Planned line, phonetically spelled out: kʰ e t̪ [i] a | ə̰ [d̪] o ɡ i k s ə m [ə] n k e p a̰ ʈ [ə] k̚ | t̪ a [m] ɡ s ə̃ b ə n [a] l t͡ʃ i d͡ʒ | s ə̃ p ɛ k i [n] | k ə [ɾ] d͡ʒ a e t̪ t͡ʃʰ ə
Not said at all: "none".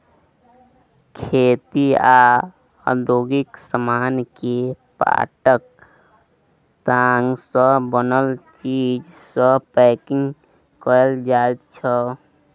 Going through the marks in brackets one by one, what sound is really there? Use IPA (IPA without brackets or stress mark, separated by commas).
i, d̪, a, ə, ŋ, ə, ŋ, l